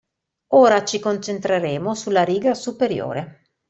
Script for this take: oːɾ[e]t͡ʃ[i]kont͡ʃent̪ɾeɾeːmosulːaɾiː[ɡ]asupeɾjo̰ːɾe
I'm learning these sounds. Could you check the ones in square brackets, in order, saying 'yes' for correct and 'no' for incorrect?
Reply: no, yes, yes

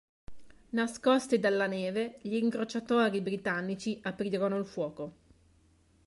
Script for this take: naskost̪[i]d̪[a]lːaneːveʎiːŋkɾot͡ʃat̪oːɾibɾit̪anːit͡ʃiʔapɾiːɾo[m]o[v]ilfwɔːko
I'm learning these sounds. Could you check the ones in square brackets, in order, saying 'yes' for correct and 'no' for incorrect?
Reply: yes, yes, no, no

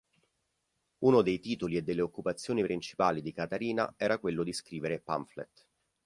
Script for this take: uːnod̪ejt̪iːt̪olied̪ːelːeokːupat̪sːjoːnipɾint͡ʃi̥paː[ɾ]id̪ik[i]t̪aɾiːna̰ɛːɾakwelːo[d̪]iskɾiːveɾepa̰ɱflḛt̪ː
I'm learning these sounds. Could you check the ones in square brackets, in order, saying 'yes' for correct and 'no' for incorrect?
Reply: no, no, yes

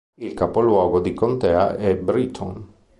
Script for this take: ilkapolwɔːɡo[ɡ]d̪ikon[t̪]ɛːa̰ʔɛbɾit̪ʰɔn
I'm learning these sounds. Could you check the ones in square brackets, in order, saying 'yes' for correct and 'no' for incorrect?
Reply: no, yes

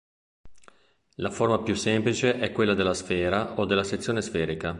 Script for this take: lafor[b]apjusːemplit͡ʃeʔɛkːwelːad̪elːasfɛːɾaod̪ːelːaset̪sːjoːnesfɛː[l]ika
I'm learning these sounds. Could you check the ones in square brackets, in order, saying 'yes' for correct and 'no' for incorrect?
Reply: no, no

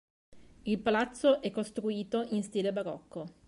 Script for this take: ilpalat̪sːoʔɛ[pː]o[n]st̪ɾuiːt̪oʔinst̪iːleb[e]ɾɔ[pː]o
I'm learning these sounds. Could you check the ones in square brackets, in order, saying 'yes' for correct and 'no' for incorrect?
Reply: no, no, no, no

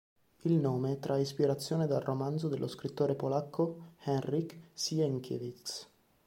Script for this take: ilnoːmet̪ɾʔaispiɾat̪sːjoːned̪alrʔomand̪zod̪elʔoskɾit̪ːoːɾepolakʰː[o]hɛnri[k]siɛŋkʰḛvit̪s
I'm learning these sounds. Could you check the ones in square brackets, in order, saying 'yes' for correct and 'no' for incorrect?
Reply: yes, yes

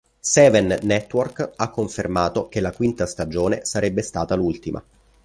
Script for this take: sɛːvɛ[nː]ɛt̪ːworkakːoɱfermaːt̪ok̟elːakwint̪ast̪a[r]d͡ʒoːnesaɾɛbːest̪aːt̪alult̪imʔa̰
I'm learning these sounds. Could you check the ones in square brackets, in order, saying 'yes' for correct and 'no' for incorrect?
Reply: yes, no

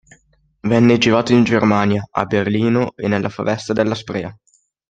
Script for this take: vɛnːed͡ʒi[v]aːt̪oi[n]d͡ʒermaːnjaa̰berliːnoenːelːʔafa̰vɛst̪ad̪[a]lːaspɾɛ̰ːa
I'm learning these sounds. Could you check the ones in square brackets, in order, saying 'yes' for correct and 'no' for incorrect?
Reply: yes, yes, no

